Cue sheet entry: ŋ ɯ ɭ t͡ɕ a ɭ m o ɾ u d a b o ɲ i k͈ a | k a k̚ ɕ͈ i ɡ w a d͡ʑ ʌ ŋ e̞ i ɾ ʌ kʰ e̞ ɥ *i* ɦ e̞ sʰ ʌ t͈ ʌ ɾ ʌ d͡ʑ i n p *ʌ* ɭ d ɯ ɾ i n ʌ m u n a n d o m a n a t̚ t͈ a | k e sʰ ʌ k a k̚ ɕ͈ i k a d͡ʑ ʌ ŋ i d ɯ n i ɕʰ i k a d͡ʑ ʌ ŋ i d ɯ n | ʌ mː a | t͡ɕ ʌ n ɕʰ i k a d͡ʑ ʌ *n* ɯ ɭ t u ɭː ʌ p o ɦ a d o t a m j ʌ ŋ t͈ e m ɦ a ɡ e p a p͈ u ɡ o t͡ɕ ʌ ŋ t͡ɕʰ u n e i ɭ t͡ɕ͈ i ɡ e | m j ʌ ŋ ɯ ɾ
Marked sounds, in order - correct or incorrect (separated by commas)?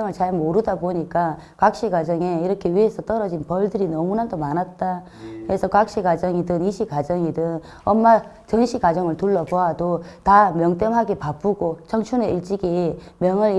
correct, correct, incorrect